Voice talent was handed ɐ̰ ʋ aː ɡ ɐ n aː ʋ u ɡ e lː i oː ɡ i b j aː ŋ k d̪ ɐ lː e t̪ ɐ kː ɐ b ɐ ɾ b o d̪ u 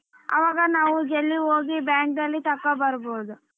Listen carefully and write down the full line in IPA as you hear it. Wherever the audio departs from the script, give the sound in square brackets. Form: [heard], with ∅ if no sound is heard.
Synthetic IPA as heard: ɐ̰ ʋ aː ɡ ɐ n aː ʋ u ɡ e lː i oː ɡ i b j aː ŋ k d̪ ɐ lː [i] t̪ ɐ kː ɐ b ɐ ɾ b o d̪ u